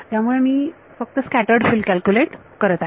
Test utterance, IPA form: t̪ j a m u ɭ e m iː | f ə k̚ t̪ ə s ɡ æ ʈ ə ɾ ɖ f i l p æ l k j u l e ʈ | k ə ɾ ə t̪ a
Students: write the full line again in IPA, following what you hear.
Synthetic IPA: t̪ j a m u ɭ e m iː | f ə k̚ t̪ ə s k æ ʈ ə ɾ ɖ f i l k æ l k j u l e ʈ | k ə ɾ ə t̪ a

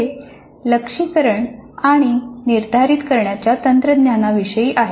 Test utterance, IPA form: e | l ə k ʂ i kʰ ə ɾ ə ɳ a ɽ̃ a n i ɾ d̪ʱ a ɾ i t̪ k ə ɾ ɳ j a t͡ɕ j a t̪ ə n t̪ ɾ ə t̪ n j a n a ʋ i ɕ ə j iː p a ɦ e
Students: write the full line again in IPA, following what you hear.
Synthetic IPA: e | l ə k ʂ i k ə ɾ ə ɳ a ɽ̃ i n i ɾ d̪ʱ a ɾ i t̪ k ə ɾ ɳ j a t͡ɕ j a t̪ ə n t̪ ɾ ə d̪ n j a n a ʋ i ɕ ə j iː ʔ a ɦ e

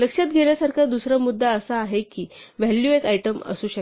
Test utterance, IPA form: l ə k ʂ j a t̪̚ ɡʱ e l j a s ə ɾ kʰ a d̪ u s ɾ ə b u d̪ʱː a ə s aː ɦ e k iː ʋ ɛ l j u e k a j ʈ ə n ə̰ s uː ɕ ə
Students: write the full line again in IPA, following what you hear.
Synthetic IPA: l ə k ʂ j a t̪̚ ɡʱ e l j a s a ɾ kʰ a d̪ u s ɾ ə m u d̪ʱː a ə s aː ɦ e k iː ʋ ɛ l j u e k a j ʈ ə m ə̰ s uː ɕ ə

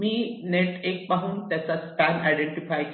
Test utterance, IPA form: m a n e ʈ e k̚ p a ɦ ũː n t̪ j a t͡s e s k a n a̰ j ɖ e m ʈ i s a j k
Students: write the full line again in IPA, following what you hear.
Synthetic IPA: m i n e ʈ e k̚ p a ɦ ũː n t̪ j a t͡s a s k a n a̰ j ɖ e ɳ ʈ i f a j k

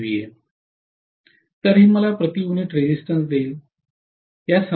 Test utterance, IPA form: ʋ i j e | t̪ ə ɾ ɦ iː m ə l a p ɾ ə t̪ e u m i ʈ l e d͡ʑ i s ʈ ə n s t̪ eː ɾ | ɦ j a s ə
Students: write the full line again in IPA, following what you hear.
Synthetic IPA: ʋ i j e | t̪ ə ɾ ɦ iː m ə l a p ɾ ə t̪ i u n i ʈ ɾ e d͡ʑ i s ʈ ə n s d̪ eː l | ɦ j a s ə

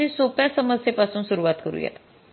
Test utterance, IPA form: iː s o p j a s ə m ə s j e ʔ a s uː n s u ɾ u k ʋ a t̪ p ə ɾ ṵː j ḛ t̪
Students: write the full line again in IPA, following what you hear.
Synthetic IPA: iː s o p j a s ə m ə s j e p a s uː n s u ɾ u ʋ a t̪ k ə ɾ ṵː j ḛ t̪

